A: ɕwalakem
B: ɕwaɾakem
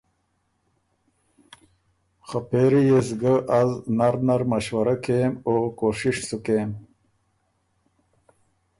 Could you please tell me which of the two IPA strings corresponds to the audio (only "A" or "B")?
B